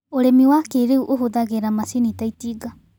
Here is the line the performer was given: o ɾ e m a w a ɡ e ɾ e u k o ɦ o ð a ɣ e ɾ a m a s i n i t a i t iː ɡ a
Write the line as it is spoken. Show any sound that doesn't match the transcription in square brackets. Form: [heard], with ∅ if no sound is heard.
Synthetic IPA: o ɾ e m [i] w a [k] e ɾ e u [ʔ] o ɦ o ð a ɣ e ɾ a m a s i n i t a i t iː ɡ a